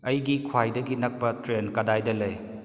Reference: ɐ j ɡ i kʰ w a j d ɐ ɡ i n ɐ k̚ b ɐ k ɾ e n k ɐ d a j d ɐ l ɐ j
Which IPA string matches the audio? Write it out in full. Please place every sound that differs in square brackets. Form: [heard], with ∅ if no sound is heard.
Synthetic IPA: ɐ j ɡ i kʰ w a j d ɐ ɡ i n ɐ k̚ [p] ɐ [t] ɾ e n k ɐ d a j d ɐ l ɐ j